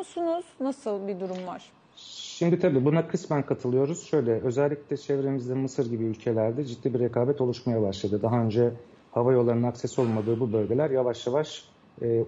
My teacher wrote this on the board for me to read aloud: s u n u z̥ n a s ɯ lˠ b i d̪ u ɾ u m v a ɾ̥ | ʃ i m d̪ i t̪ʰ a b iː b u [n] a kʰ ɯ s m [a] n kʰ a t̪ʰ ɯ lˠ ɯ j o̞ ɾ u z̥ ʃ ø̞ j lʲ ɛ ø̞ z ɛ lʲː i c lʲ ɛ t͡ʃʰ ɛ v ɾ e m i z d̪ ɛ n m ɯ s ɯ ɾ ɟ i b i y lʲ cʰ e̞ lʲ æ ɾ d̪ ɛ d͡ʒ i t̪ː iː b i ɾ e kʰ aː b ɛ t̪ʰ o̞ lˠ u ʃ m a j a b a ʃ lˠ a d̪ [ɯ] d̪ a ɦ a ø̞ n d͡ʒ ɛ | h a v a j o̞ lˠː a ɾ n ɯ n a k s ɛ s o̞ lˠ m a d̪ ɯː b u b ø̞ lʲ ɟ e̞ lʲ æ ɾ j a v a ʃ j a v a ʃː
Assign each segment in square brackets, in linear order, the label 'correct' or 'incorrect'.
correct, incorrect: æ, correct

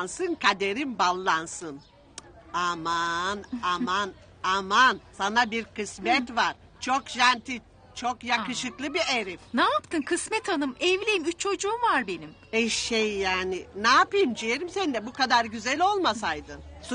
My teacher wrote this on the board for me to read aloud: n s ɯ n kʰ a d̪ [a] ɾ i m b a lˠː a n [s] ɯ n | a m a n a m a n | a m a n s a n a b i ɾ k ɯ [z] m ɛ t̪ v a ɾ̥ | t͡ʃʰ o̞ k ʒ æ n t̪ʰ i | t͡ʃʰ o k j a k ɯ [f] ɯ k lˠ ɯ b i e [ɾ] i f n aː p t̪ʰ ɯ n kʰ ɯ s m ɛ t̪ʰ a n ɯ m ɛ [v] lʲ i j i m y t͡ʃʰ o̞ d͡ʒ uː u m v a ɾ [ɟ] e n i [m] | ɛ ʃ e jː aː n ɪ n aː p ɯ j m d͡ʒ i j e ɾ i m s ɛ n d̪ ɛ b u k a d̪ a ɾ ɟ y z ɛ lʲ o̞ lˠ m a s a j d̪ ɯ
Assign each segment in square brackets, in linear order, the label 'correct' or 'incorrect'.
incorrect: e, correct, incorrect: s, incorrect: ʃ, correct, correct, incorrect: b, correct

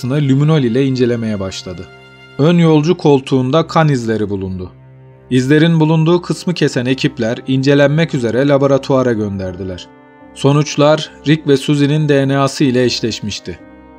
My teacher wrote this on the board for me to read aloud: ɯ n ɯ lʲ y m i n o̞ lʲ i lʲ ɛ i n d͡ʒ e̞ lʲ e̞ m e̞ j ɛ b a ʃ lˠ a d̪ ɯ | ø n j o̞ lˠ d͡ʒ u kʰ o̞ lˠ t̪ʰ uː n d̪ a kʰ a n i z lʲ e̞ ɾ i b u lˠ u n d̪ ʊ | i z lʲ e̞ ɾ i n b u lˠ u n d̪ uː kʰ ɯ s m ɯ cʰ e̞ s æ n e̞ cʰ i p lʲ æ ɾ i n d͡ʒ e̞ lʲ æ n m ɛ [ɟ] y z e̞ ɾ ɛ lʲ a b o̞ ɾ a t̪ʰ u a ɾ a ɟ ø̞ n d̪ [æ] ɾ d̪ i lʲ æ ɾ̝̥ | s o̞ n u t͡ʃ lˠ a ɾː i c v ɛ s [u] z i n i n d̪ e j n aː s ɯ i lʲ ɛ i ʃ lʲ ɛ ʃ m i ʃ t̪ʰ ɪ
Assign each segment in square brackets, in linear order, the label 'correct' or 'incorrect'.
incorrect: c, correct, correct

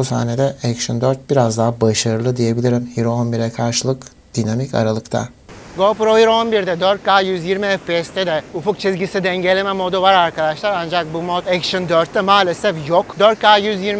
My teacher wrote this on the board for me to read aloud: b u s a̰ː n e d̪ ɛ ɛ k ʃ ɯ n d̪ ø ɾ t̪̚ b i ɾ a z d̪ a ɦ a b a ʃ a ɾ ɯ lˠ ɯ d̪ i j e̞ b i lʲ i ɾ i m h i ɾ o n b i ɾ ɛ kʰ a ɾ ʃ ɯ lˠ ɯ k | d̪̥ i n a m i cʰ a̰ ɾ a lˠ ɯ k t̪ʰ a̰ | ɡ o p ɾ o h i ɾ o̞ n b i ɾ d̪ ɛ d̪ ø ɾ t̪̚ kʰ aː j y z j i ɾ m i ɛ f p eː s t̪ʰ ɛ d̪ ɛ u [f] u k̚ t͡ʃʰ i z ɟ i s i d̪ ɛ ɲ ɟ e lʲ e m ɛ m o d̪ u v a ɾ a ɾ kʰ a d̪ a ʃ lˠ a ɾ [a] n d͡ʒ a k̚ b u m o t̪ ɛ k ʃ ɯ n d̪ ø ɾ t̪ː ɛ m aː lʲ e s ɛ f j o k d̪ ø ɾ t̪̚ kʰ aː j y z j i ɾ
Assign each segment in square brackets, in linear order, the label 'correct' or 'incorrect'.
correct, correct

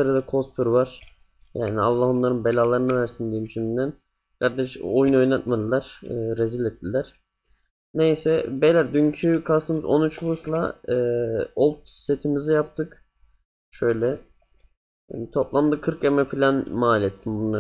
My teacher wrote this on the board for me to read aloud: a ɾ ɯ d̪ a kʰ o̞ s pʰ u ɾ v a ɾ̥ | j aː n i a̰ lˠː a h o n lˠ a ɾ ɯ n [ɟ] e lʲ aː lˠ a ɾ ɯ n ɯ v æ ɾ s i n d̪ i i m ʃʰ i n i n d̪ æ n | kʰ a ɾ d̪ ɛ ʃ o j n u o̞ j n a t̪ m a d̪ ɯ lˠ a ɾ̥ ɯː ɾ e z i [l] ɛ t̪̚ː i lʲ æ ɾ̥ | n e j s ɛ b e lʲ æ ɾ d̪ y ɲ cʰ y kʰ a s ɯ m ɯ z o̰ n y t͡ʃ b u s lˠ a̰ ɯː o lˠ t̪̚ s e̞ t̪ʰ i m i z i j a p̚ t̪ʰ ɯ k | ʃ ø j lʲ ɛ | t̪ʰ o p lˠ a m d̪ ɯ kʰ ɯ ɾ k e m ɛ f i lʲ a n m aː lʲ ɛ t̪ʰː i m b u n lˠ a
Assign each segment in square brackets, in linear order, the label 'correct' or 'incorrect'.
incorrect: b, correct

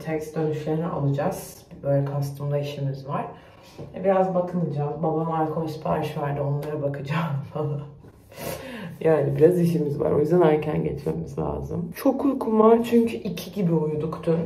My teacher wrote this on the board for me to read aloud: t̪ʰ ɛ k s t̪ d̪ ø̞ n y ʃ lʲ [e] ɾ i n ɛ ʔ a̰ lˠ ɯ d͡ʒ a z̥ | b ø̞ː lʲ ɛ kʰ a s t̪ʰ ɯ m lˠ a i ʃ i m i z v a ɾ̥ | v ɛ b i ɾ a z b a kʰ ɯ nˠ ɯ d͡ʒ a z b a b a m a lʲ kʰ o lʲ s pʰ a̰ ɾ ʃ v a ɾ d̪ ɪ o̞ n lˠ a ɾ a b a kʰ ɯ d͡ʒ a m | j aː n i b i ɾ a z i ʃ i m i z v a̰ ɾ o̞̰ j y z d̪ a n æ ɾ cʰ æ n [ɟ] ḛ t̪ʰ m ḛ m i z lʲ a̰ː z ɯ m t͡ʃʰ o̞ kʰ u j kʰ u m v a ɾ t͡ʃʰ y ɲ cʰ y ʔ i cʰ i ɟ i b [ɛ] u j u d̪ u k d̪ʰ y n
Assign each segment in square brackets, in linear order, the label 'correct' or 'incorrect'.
correct, correct, incorrect: i

